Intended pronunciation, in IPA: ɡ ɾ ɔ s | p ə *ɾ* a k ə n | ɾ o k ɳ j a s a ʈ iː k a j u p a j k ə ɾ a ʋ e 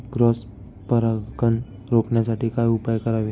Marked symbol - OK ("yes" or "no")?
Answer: yes